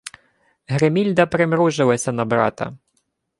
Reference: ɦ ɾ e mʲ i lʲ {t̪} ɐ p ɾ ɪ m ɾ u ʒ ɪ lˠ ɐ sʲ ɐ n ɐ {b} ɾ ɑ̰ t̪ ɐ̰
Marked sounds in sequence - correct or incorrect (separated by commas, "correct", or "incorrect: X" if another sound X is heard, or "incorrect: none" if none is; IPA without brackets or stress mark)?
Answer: incorrect: d̪, correct